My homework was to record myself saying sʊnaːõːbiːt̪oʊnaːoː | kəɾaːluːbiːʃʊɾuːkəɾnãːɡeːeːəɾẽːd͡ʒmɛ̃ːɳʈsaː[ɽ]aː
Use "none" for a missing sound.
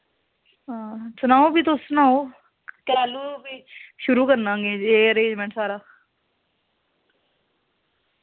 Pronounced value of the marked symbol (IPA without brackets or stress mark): ɾ